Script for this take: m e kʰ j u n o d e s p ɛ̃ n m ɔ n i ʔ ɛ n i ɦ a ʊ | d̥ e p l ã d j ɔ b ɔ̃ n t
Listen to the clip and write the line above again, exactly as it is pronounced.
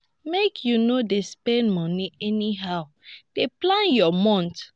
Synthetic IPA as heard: m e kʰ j u n o d e s p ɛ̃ n m ɔ n i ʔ ɛ n i ɦ a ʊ | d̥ e p l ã n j ɔ m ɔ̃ n t

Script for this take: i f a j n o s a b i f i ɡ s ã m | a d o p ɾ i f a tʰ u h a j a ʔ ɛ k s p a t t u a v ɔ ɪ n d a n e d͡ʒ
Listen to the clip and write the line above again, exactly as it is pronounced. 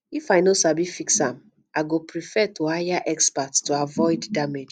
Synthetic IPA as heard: i f a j n o s a b i f i k s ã m | a ɡ o p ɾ i f ɛ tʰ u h a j a ʔ ɛ k s p a t t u a v ɔ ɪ d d a m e d͡ʒ

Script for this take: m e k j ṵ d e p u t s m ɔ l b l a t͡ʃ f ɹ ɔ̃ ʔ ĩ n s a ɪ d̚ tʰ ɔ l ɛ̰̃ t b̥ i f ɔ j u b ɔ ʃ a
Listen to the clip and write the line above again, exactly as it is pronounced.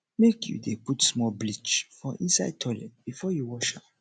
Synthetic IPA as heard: m e k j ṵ d e p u t s m ɔ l b l i t͡ʃ f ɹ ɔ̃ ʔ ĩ n s a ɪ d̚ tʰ ɔ l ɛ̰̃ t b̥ i f ɔ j u w ɔ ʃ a

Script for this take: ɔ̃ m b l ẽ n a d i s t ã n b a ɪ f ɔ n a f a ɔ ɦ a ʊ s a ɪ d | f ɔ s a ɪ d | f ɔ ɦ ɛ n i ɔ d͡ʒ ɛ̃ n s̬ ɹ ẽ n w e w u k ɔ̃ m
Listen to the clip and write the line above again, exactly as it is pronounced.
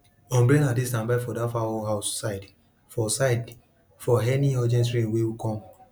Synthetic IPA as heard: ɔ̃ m b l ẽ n a d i s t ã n b a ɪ f ɔ d a f a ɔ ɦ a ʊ s a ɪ d | f ɔ s a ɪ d | f ɔ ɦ ɛ n i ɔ d͡ʒ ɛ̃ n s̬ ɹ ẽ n w e w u k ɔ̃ m

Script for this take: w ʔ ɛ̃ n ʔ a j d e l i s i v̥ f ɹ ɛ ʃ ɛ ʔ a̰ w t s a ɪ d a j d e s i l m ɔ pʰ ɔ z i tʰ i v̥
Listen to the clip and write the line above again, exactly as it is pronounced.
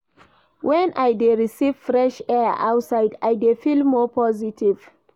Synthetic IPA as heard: w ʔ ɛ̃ n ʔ a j d e ɹ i s i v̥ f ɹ ɛ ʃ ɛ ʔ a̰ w t s a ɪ d a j d e f i l m ɔ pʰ ɔ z i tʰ i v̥

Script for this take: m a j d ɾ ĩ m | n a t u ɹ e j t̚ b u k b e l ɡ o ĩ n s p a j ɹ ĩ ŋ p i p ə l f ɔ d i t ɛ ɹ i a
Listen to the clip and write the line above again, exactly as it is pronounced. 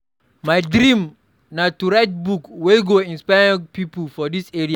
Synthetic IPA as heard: m a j d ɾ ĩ m | n a t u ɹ a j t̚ b u k w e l ɡ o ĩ n s p a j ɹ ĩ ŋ p i p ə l f ɔ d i s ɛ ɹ i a

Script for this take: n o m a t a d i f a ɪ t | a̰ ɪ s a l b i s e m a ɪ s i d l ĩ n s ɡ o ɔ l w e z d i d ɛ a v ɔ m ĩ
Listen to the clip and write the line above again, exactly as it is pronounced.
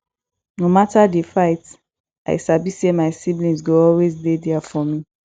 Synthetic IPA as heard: n o m a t a d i f a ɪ t | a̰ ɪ s a b i s e m a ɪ s i b l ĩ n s ɡ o ɔ l w e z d e d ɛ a f ɔ m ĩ

